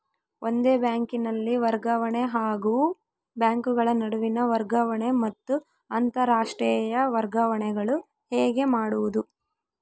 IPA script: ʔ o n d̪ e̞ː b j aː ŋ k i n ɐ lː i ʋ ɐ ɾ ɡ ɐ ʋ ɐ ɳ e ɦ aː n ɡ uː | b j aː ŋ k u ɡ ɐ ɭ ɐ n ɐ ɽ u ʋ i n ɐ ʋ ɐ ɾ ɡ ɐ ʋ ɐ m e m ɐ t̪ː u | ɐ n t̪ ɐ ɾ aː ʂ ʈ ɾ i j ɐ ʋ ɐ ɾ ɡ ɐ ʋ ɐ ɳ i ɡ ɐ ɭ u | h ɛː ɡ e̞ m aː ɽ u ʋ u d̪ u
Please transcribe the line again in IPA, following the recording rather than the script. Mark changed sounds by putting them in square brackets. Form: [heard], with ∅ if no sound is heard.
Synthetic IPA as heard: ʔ o n d̪ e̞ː b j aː ŋ k i n ɐ lː i ʋ ɐ ɾ ɡ ɐ ʋ ɐ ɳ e ɦ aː [∅] ɡ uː | b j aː ŋ k u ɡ ɐ ɭ ɐ n ɐ ɽ u ʋ i n ɐ ʋ ɐ ɾ ɡ ɐ ʋ ɐ [ɳ] e m ɐ t̪ː u | ɐ n t̪ ɐ ɾ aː ʂ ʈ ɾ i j ɐ ʋ ɐ ɾ ɡ ɐ ʋ ɐ ɳ [ɛ] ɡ ɐ ɭ u | h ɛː ɡ e̞ m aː ɽ u ʋ u d̪ u